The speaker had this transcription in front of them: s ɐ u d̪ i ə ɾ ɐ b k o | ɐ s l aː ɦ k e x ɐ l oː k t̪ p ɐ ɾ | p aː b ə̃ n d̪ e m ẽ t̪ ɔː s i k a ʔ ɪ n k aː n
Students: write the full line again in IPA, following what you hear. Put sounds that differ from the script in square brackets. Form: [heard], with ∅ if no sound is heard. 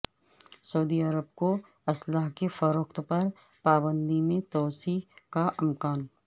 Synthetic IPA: s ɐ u d̪ i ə ɾ [ə] b k o | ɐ s l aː ɦ k e [f] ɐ [ɾ] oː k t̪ p ɐ ɾ | p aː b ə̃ n d̪ [i] m ẽ t̪ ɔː s i k a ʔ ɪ [m] k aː n